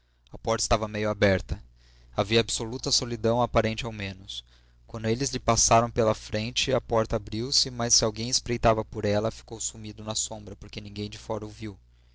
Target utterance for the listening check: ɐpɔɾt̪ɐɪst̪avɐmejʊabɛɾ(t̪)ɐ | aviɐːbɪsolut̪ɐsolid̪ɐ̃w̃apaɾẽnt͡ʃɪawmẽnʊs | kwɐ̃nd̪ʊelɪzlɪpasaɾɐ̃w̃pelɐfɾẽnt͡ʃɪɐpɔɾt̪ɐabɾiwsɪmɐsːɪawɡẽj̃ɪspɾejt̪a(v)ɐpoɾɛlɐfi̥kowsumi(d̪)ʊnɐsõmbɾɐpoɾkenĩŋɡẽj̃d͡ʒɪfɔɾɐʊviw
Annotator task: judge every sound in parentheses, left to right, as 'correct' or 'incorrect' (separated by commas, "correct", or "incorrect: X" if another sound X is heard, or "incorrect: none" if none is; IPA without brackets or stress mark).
correct, correct, correct